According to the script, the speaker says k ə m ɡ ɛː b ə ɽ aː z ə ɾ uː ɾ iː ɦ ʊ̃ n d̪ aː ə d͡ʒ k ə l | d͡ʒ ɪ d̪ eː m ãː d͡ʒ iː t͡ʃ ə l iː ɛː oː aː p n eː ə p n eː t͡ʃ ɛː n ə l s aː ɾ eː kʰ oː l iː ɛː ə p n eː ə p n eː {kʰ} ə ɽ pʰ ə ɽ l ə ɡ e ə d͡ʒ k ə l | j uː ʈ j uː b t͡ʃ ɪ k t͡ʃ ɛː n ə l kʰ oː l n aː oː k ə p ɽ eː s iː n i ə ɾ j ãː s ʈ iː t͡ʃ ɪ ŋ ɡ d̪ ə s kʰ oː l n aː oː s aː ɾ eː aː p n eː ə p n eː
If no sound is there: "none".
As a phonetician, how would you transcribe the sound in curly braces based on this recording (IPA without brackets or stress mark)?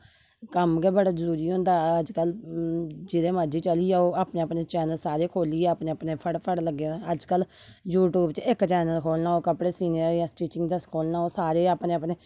pʰ